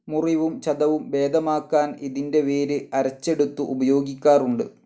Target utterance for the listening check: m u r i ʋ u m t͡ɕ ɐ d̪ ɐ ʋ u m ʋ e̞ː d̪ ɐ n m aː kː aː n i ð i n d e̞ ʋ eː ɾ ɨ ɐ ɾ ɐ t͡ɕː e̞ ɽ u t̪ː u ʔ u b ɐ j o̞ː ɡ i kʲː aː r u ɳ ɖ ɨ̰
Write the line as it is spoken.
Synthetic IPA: m u r i ʋ u m t͡ɕ ɐ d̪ ɐ ʋ u m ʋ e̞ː d̪ ɐ m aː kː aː n i ð i n d e̞ ʋ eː ɾ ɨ ɐ ɾ ɐ t͡ɕː e̞ ɽ u t̪ː u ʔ u b ɐ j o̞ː ɡ i kʲː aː r u ɳ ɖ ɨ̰